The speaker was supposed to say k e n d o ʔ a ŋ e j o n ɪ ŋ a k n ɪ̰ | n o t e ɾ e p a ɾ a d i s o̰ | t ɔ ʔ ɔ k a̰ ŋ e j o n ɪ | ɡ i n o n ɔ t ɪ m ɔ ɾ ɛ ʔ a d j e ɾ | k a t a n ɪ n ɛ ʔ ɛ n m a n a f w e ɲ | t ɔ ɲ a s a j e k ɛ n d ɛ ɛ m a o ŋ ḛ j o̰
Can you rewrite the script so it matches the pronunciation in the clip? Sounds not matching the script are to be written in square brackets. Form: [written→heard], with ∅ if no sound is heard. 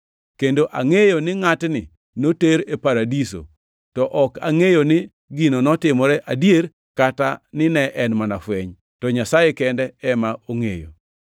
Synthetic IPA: k e n d o ʔ a ŋ e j o n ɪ ŋ a [k→t] n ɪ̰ | n o t e ɾ e p a ɾ a d i s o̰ | t ɔ ʔ ɔ k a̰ ŋ e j o n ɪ | ɡ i n o n ɔ t ɪ m ɔ ɾ ɛ ʔ a d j e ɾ | k a t a n ɪ n ɛ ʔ ɛ n m a n a f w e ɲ | t ɔ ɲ a s a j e k ɛ n d ɛ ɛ m a o ŋ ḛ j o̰